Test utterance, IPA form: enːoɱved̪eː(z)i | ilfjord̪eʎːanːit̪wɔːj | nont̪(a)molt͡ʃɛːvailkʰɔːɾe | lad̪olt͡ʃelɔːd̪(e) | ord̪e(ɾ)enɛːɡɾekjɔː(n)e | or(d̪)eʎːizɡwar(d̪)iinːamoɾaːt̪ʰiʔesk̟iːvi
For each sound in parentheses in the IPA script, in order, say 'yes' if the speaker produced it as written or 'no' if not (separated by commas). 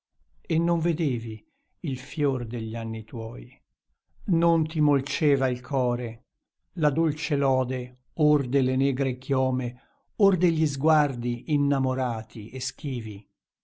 no, no, yes, no, no, yes, yes